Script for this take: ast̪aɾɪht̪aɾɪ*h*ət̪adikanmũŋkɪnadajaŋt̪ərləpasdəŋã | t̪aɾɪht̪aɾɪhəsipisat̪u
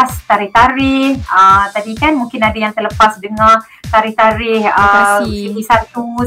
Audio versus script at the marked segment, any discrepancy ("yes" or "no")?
no